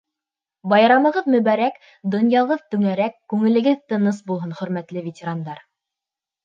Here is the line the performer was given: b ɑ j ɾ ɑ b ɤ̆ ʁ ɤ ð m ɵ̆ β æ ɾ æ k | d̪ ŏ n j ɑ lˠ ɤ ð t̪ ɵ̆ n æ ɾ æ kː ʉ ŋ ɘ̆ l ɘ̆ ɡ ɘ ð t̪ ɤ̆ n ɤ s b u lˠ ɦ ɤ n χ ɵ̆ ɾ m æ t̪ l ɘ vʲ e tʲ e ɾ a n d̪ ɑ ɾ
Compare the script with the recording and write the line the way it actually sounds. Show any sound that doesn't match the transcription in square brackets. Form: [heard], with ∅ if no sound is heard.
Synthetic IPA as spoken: b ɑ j ɾ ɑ [m] ɤ̆ ʁ ɤ ð m ɵ̆ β æ ɾ æ k | d̪ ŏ n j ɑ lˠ ɤ ð t̪ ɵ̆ [ŋ] æ ɾ æ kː ʉ ŋ ɘ̆ l ɘ̆ ɡ ɘ ð t̪ ɤ̆ n ɤ s b u lˠ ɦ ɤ n χ ɵ̆ ɾ m æ t̪ l ɘ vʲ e tʲ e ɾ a n d̪ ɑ ɾ

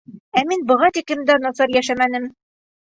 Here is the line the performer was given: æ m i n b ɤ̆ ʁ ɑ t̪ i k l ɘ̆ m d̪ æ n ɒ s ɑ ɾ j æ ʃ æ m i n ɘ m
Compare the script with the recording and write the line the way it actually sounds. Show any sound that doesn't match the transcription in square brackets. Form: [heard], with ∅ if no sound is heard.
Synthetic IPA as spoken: æ m i n b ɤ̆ ʁ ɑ t̪ i k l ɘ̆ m d̪ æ n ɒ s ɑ ɾ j æ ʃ æ m [æ] n ɘ m

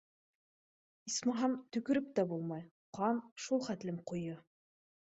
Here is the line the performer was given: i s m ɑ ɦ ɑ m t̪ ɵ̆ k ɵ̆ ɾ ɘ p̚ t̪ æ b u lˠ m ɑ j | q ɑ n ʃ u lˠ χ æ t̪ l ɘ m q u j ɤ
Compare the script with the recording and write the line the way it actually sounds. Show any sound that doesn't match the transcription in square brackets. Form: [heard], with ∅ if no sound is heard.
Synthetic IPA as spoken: i s m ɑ ɦ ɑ m t̪ ɵ̆ k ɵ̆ ɾ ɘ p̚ t̪ æ b u lˠ m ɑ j | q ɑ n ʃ u lˠ χ æ t̪ l ɘ m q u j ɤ

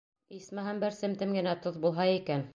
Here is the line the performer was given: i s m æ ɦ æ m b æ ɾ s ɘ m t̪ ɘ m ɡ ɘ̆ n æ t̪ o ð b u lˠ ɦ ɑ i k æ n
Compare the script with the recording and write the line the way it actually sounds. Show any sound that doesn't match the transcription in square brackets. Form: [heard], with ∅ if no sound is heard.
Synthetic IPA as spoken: i s m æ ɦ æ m b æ ɾ s ɘ m t̪ ɘ m ɡ ɘ̆ n æ t̪ o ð b u lˠ ɦ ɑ i k æ n

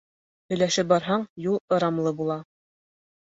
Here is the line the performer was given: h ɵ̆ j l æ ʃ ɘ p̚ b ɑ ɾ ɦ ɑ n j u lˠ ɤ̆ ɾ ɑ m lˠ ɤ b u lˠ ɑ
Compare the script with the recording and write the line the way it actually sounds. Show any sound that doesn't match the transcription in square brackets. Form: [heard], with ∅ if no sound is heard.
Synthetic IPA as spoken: h ɵ̆ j l æ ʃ ɘ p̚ b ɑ ɾ ɦ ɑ [ɴ] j u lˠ ɤ̆ ɾ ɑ m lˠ ɤ b u lˠ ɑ

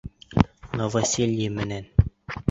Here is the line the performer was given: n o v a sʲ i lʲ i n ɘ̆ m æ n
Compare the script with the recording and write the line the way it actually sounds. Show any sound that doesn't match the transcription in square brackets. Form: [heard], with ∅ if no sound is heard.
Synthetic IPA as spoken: n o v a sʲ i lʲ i [m] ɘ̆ [n] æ n

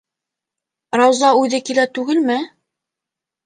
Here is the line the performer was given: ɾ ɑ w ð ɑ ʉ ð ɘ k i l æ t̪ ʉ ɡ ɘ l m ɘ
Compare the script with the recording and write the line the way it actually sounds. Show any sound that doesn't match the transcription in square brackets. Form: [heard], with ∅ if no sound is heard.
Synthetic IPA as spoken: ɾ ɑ w [z] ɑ ʉ ð ɘ k i l æ t̪ ʉ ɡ ɘ l m ɘ

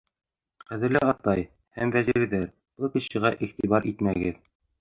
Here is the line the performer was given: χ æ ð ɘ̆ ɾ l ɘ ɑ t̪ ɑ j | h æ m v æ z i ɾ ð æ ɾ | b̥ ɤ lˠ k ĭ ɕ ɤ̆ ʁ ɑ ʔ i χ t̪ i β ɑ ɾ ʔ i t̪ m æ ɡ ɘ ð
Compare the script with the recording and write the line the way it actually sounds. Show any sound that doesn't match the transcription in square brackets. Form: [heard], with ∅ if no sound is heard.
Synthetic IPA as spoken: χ æ ð ɘ̆ ɾ l ɘ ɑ t̪ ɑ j | h æ m v æ z i ɾ ð æ ɾ | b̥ ɤ lˠ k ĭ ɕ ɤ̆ ʁ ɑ ʔ i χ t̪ i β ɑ ɾ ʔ i t̪ m æ ɡ ɘ ð

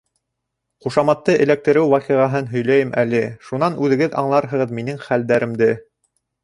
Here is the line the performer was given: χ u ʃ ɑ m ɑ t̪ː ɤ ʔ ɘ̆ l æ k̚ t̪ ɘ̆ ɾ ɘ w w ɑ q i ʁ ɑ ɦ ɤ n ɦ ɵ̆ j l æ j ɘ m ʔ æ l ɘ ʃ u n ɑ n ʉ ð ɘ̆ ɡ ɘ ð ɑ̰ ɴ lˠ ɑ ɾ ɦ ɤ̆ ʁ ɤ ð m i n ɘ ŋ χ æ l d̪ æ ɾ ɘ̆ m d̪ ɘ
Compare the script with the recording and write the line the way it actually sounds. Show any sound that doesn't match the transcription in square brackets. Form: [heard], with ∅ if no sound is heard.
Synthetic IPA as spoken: χ u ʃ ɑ m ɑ t̪ː ɤ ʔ ɘ̆ l æ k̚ t̪ ɘ̆ ɾ ɘ w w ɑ q i ʁ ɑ ɦ ɤ n ɦ ɵ̆ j l æ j ɘ m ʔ æ l ɘ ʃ u n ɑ n ʉ ð ɘ̆ ɡ ɘ ð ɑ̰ ɴ lˠ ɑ ɾ ɦ ɤ̆ ʁ ɤ ð m i n ɘ ŋ χ æ l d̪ æ ɾ ɘ̆ m d̪ ɘ

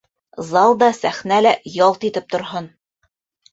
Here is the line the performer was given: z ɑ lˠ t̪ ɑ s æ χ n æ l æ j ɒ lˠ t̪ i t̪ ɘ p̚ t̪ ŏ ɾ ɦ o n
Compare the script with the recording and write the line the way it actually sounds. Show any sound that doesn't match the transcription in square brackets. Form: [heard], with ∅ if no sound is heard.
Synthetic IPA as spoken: z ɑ lˠ [d̪] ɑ s æ χ n æ l æ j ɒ lˠ t̪ i t̪ ɘ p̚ t̪ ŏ ɾ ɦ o n

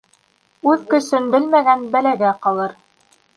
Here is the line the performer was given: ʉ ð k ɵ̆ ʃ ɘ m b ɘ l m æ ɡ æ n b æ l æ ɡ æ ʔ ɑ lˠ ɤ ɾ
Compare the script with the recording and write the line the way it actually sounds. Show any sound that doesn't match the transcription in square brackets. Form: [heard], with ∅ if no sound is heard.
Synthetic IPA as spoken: ʉ ð k ɵ̆ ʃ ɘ [n] b ɘ l m æ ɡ æ n b æ l æ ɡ æ [q] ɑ lˠ ɤ ɾ

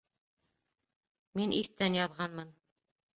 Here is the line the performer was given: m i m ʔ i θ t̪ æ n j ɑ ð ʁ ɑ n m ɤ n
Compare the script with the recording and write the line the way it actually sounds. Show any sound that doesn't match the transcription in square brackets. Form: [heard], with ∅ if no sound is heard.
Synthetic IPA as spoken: m i [n] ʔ i θ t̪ æ n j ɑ ð ʁ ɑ n m ɤ n

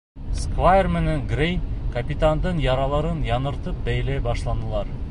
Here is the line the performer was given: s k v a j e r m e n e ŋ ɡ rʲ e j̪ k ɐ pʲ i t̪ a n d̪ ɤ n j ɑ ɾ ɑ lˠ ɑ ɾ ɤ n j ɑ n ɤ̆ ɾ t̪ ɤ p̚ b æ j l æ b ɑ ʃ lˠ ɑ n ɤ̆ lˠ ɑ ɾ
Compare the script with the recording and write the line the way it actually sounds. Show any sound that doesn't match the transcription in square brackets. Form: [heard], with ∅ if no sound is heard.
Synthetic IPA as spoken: s k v a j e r m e n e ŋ ɡ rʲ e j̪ k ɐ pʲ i t̪ a n d̪ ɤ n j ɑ ɾ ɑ lˠ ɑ ɾ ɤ n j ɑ n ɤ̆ ɾ t̪ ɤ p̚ b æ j l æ b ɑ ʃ lˠ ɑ n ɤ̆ lˠ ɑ ɾ

